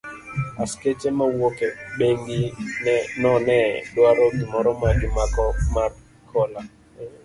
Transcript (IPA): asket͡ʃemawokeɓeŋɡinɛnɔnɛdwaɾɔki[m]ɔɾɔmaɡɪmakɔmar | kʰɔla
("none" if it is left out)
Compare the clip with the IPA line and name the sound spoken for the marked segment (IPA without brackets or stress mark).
m